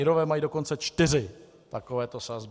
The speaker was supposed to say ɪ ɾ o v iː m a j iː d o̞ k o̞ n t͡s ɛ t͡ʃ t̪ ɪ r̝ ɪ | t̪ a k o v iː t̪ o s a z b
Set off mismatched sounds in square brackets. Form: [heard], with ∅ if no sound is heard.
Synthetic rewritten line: ɪ ɾ o v [ɛː] m a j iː d o̞ k o̞ n t͡s ɛ t͡ʃ t̪ ɪ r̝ ɪ | t̪ a k o v [ɛː] t̪ o s a z b

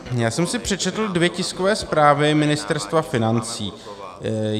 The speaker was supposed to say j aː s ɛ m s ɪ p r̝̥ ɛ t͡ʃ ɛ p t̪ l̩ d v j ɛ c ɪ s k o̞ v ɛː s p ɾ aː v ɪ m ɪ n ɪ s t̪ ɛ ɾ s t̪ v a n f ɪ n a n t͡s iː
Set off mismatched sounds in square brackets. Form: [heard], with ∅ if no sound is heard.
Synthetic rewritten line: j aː s ɛ m s ɪ p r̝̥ ɛ t͡ʃ ɛ [∅] t̪ l̩ d v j ɛ c ɪ s k o̞ v ɛː s p ɾ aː v ɪ m ɪ n ɪ s t̪ ɛ ɾ s t̪ v a [∅] f ɪ n a n t͡s iː

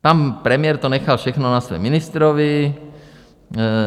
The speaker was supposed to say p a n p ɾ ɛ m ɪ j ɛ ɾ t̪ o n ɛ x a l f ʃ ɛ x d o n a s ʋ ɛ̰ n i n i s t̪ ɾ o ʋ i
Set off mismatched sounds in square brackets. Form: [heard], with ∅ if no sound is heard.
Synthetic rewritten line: p a n p ɾ ɛ m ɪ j ɛ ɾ t̪ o n ɛ x a l f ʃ ɛ x [n] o n a s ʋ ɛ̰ [m] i n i s t̪ ɾ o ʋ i

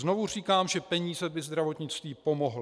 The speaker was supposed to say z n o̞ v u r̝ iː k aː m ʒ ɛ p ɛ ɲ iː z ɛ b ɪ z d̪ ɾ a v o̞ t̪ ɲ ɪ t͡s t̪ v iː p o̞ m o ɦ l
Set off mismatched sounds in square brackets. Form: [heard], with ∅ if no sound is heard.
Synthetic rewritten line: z n o̞ v u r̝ iː k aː m ʒ ɛ p ɛ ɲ iː z ɛ b ɪ z d̪ ɾ a v o̞ t̪ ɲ ɪ t͡s t̪ v iː p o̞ m o ɦ l

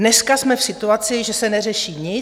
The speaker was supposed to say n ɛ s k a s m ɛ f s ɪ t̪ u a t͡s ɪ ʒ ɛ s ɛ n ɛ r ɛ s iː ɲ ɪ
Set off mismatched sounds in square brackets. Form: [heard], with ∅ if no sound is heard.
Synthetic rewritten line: n ɛ s k a s m ɛ f s ɪ t̪ u a t͡s ɪ ʒ ɛ s ɛ n ɛ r ɛ [ʃ] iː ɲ ɪ

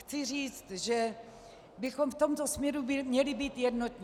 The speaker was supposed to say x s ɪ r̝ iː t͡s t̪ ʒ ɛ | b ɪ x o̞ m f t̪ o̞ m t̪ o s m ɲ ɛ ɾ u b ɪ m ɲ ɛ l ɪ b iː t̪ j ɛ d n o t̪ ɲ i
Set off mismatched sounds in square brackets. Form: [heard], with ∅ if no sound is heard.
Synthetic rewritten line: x [t͡s] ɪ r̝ iː t͡s t̪ ʒ ɛ | b ɪ x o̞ m f t̪ o̞ m t̪ o s m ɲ ɛ ɾ u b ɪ m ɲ ɛ l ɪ b iː t̪ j ɛ d n o t̪ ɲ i

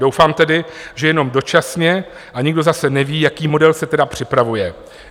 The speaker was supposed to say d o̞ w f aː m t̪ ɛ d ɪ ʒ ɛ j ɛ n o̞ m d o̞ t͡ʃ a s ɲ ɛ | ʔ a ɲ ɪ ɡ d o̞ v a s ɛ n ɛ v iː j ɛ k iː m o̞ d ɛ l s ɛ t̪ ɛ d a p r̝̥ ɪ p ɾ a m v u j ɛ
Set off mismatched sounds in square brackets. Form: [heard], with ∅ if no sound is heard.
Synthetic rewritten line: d o̞ w f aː m t̪ ɛ d ɪ ʒ ɛ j ɛ n o̞ m d o̞ t͡ʃ a s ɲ ɛ | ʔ a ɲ ɪ ɡ d o̞ [z] a s ɛ n ɛ v iː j [a] k iː m o̞ d ɛ l s ɛ t̪ ɛ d a p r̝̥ ɪ p ɾ a [∅] v u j ɛ

